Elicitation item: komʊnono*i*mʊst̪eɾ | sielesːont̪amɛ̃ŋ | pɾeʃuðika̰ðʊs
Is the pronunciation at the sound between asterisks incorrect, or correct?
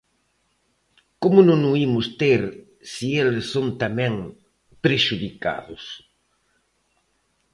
correct